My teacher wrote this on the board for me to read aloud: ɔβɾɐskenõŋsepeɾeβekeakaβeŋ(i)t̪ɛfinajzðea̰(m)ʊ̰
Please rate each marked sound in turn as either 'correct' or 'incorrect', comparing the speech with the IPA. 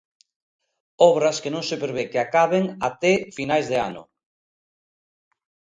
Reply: incorrect: a, incorrect: n

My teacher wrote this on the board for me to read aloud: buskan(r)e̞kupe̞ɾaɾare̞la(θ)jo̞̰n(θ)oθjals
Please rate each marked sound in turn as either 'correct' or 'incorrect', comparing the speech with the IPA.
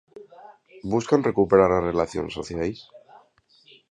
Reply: correct, correct, incorrect: s

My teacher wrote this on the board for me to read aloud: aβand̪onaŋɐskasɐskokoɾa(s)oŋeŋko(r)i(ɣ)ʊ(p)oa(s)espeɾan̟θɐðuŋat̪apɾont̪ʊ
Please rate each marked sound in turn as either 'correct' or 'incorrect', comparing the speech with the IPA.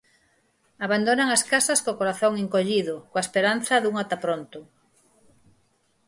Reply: incorrect: θ, incorrect: ʎ, incorrect: ð, incorrect: k, incorrect: none

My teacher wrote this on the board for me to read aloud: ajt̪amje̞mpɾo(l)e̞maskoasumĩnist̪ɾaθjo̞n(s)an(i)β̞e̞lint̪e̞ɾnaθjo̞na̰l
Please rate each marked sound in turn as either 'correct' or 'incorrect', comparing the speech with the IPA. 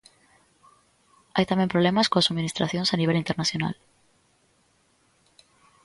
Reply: correct, correct, correct

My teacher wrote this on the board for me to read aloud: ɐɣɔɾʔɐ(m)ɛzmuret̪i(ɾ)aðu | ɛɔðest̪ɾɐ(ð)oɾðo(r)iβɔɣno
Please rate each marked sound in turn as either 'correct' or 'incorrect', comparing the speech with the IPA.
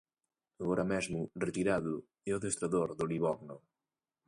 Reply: correct, correct, correct, incorrect: l

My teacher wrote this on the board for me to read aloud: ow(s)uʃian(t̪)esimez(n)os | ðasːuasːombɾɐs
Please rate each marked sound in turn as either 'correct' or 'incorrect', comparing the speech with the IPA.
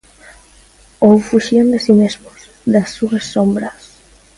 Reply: incorrect: f, incorrect: d̪, incorrect: m

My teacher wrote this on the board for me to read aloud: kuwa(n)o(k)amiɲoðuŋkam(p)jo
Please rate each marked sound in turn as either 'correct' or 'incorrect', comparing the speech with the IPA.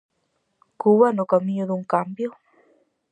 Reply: correct, correct, incorrect: b

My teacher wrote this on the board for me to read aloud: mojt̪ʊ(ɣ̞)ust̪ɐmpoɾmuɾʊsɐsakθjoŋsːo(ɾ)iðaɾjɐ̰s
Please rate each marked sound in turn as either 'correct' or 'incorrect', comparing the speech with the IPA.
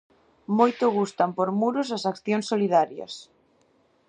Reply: correct, incorrect: l

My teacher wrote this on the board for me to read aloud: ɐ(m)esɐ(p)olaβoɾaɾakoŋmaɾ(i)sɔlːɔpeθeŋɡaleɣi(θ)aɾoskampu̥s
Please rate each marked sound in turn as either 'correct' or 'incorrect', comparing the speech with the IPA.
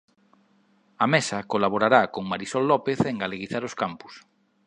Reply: correct, incorrect: k, correct, correct

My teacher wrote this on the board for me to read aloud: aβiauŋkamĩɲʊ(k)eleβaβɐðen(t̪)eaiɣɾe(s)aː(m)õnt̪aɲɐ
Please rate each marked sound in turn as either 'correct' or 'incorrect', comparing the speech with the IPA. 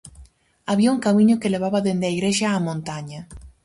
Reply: correct, incorrect: d̪, incorrect: ʃ, correct

